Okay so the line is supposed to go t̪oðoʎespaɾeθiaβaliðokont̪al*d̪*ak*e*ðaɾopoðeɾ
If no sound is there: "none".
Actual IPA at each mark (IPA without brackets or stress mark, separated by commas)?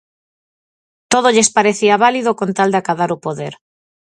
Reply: d̪, a